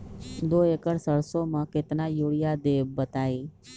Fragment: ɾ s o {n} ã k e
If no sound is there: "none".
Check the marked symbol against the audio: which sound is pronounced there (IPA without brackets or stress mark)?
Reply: m